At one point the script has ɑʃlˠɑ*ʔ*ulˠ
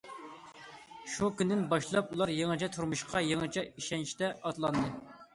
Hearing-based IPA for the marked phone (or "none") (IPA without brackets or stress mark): p